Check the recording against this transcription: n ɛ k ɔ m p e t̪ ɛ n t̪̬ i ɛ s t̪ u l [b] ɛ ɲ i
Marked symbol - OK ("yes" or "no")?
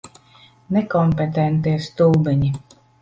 yes